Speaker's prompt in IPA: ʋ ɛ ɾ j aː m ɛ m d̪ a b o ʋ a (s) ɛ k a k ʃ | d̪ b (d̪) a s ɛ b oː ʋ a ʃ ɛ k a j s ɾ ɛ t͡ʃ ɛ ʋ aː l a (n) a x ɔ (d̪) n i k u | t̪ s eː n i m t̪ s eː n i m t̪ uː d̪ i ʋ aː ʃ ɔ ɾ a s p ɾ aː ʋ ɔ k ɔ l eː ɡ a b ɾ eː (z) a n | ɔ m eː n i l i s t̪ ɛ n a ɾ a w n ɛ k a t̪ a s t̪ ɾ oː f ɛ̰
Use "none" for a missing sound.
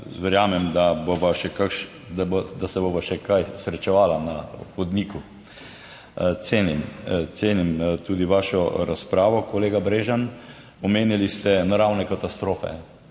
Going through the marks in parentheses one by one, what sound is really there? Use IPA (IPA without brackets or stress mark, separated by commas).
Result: ʃ, d̪, n, d̪, ʒ